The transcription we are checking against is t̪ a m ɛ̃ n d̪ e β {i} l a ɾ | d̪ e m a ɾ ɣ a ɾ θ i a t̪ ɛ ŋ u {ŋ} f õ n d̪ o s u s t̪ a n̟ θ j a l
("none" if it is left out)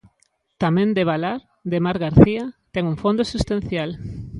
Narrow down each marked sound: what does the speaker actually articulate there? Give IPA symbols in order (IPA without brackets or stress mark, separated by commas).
a, ŋ